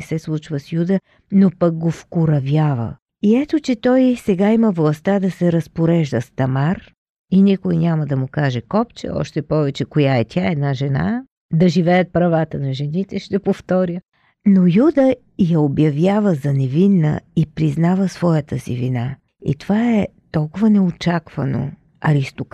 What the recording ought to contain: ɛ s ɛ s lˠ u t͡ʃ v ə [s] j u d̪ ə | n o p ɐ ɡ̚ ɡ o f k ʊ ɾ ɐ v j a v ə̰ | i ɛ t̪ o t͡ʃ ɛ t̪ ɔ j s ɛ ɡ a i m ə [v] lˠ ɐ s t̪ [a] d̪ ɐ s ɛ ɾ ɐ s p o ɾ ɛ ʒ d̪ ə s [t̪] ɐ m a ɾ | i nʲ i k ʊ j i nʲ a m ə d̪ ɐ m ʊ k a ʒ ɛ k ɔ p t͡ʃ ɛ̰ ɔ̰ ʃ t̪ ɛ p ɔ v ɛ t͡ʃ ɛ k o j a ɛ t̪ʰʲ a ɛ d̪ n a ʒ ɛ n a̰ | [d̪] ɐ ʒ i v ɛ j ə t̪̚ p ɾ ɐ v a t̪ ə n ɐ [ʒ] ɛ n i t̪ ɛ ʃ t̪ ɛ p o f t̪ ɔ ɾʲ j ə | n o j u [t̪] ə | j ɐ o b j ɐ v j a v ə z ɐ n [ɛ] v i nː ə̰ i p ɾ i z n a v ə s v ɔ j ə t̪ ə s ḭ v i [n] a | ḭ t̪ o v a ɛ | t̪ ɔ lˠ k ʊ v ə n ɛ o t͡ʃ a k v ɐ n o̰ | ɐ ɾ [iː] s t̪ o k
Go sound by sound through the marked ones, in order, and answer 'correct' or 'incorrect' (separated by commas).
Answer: correct, correct, correct, correct, correct, correct, incorrect, correct, correct, incorrect